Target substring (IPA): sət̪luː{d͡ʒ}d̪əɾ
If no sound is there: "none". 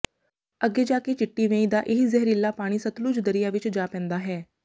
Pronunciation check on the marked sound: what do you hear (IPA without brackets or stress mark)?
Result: d͡ʒ